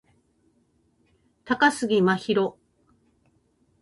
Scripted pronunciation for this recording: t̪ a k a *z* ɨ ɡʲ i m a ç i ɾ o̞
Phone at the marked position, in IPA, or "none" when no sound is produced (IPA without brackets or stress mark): s